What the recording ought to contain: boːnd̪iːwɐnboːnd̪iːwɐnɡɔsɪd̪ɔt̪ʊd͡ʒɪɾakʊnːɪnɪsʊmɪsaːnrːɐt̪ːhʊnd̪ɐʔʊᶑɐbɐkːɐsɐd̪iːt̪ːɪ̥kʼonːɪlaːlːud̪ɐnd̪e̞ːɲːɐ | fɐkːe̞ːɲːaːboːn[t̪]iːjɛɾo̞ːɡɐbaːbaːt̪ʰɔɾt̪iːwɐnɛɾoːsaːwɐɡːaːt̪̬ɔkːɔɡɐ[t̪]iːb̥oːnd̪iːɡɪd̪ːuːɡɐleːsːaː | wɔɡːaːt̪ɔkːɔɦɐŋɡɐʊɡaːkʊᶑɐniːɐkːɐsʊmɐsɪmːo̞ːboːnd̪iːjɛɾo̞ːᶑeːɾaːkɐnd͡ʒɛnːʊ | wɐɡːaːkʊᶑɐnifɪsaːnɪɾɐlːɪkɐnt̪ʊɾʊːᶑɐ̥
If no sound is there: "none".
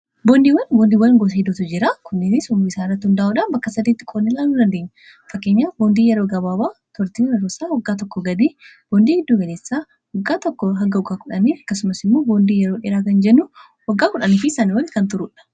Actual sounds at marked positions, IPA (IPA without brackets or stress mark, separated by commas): d̪, d̪